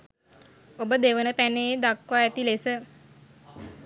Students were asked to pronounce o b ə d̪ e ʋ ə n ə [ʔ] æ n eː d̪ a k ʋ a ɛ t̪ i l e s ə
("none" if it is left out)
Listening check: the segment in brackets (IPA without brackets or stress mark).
p